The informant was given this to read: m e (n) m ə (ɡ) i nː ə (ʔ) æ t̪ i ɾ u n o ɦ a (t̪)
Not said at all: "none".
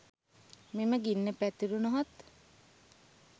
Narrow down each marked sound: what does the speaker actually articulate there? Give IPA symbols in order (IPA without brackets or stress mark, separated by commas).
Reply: none, ɡ, p, t̪